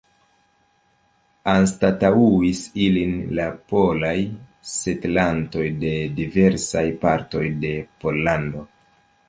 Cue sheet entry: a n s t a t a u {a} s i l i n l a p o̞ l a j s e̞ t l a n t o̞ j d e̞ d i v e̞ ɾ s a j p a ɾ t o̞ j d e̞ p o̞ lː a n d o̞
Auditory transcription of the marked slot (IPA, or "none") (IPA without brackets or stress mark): i